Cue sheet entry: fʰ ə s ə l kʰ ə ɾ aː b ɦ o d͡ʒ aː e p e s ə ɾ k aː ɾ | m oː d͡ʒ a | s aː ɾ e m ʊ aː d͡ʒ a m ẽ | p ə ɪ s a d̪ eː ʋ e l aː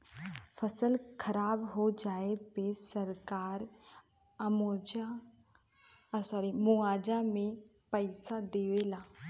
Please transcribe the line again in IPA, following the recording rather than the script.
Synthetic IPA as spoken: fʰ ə s ə l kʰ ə ɾ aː b ɦ o d͡ʒ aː e p e s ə ɾ k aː ɾ | m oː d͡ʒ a | s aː ɾ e m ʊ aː d͡ʒ a m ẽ | p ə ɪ s a d̪ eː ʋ e l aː